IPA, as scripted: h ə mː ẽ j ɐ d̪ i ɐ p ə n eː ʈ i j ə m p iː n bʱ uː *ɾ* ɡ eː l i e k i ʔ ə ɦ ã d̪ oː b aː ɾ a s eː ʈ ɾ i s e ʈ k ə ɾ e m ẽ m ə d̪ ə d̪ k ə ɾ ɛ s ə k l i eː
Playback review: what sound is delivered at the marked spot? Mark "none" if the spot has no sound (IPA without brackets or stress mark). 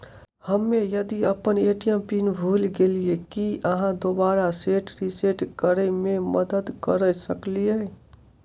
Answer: l